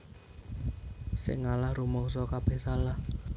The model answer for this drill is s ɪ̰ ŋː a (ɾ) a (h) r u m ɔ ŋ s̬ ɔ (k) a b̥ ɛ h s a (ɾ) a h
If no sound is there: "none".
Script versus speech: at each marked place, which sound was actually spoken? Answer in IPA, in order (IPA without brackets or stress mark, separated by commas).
l, h, k, l